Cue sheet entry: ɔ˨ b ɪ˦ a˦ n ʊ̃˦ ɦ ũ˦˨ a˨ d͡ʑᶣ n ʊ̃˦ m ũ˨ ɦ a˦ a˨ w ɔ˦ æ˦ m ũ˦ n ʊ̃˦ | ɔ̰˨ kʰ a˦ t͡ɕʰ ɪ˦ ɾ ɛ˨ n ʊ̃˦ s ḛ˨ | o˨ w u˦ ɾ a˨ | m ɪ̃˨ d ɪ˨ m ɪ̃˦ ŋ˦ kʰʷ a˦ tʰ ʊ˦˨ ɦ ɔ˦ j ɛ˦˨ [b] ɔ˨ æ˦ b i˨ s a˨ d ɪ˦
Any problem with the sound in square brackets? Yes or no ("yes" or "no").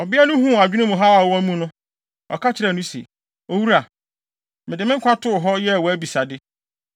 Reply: yes